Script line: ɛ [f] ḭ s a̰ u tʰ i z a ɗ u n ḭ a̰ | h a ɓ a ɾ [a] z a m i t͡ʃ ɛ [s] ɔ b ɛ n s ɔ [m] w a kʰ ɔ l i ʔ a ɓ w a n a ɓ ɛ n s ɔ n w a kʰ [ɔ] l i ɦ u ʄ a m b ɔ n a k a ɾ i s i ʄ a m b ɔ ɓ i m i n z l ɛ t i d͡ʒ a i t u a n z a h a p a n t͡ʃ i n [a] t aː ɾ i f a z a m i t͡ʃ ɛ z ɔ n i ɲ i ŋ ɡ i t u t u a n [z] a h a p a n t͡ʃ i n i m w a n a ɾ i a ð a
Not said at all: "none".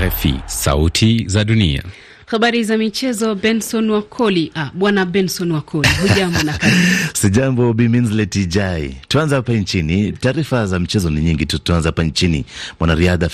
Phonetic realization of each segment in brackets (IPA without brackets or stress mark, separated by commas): f, i, z, n, ɔ, i, z